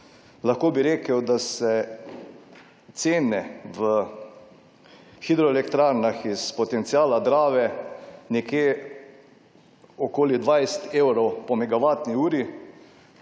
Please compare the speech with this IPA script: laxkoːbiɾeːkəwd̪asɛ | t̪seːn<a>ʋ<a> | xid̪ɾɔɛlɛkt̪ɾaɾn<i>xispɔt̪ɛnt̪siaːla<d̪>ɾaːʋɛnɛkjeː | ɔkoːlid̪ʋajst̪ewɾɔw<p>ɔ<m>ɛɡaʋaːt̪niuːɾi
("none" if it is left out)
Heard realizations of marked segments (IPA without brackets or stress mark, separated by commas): ɛ, ə, a, d̪, p, m